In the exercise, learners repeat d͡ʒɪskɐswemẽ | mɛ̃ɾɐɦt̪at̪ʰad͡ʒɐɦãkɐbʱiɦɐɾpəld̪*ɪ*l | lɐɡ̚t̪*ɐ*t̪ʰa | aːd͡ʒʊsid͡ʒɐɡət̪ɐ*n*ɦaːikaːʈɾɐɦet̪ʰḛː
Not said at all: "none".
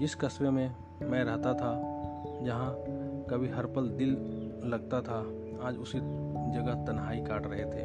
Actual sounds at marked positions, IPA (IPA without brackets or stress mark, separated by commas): ɪ, a, n